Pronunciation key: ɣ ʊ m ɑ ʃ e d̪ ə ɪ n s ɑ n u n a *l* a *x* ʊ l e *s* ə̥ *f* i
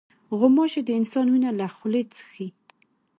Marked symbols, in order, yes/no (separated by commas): yes, yes, no, no